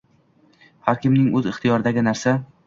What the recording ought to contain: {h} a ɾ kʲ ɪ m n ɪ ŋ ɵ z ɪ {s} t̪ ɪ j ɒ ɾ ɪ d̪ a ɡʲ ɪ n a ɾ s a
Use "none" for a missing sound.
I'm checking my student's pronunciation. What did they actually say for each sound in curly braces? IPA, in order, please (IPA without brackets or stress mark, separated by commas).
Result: h, χ